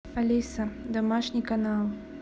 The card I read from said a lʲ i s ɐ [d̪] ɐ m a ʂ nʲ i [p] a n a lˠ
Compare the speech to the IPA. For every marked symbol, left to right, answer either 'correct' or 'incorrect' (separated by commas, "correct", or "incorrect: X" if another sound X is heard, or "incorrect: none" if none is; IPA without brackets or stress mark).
correct, incorrect: k